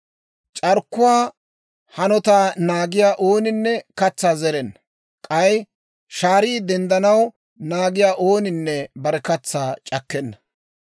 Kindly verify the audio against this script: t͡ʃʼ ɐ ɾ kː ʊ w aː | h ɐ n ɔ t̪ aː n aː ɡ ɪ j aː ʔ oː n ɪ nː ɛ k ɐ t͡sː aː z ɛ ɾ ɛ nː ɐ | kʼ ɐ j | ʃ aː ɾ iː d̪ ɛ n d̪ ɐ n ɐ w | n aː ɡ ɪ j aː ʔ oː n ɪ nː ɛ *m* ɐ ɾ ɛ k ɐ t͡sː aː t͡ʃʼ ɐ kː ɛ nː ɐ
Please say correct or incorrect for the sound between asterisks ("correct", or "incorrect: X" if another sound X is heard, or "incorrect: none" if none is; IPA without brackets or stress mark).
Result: incorrect: b